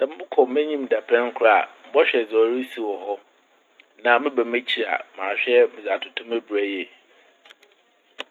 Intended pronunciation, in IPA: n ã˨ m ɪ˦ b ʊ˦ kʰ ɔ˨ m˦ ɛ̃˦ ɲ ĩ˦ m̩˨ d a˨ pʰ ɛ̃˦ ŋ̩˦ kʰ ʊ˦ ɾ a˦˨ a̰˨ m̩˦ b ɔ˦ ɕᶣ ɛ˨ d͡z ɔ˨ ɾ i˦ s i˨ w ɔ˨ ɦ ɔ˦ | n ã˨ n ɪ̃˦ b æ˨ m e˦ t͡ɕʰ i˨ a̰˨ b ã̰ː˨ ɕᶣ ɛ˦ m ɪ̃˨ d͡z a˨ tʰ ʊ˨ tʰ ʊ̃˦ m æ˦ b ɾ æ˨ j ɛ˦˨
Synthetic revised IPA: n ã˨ m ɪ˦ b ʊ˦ kʰ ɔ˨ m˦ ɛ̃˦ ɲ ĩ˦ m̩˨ d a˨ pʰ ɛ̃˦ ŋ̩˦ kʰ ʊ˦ ɾ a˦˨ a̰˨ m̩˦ b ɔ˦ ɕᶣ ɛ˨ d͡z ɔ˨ ɾ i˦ s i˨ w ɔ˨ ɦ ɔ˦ | n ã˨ m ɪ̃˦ b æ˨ m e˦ t͡ɕʰ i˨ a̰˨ m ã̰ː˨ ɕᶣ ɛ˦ m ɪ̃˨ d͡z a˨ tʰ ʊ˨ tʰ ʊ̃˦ m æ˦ b ɾ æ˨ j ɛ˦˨